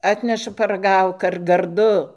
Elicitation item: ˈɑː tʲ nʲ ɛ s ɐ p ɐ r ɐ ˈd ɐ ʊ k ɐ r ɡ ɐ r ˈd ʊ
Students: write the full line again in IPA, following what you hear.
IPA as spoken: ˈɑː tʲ nʲ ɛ ʃ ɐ p ɐ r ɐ ˈɡ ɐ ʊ k ɐ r ɡ ɐ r ˈd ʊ